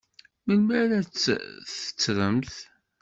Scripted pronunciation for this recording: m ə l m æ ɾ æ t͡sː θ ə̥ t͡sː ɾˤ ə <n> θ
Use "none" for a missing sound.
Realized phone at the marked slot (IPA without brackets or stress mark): m